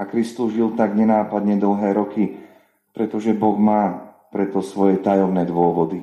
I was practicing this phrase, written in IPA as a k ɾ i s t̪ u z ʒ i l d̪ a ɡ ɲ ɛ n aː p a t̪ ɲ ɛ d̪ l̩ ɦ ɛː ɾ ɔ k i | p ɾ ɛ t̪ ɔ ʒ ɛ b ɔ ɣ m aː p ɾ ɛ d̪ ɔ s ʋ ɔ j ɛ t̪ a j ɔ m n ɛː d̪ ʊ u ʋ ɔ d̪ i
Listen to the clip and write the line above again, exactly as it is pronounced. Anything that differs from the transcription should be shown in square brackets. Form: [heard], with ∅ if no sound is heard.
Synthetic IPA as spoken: a k ɾ i s t̪ u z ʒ i l [t̪] a ɡ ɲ ɛ n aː p a [d̪] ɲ ɛ d̪ l̩ ɦ ɛː ɾ ɔ k i | p ɾ ɛ t̪ ɔ ʒ ɛ b ɔ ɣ m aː p ɾ ɛ [t̪] ɔ s ʋ ɔ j ɛ t̪ a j ɔ m n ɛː d̪ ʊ [ɔ] ʋ ɔ d̪ i